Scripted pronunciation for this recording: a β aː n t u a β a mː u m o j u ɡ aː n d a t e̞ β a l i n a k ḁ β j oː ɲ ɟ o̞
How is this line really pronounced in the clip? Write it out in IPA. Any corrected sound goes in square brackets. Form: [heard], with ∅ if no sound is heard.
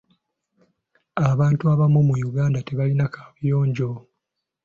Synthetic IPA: a β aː n t u a β a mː u m [u] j u ɡ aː n d a t e̞ β a l i n a k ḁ β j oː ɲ ɟ o̞